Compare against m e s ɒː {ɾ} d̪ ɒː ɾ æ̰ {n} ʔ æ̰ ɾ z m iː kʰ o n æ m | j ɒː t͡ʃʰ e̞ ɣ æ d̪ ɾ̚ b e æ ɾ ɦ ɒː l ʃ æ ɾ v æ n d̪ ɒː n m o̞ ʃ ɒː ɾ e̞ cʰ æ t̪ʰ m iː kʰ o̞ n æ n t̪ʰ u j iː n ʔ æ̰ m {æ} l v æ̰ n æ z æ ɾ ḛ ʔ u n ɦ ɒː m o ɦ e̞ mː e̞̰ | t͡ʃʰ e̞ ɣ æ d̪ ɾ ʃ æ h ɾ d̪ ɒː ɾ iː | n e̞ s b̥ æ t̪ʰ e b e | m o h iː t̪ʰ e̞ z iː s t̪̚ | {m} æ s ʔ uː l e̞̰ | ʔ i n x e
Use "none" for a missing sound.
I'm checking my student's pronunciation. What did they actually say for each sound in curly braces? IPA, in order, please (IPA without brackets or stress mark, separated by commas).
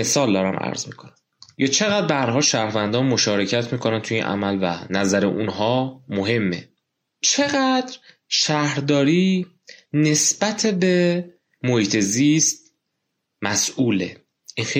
l, m, æ, m